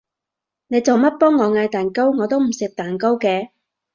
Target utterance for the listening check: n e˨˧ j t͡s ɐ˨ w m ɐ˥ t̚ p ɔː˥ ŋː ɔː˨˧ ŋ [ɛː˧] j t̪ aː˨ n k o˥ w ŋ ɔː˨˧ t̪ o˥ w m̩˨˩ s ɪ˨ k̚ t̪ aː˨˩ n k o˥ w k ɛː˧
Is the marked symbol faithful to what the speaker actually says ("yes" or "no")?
no